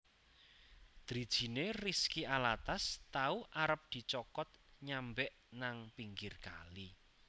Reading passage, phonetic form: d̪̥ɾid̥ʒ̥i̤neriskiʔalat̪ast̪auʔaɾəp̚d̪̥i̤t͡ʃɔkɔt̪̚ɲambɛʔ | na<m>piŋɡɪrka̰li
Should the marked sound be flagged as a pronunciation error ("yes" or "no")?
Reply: yes